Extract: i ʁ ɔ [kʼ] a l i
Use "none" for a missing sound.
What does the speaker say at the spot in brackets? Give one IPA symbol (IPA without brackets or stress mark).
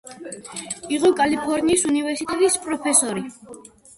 kʼ